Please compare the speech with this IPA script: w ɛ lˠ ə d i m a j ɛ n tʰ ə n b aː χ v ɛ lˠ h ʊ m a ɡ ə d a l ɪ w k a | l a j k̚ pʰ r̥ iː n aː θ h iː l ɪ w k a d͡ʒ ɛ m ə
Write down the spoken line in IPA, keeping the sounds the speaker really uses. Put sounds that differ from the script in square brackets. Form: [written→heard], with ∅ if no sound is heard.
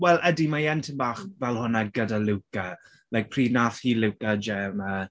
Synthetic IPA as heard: w ɛ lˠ ə d i m a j ɛ n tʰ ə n b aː χ v ɛ lˠ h ʊ [m→n] a ɡ ə d a l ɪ w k a | l a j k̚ pʰ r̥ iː n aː θ h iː l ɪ w k a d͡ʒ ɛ m ə